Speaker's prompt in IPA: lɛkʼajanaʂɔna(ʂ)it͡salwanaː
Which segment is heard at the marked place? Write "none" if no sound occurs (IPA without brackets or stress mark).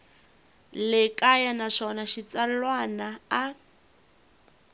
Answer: ʃ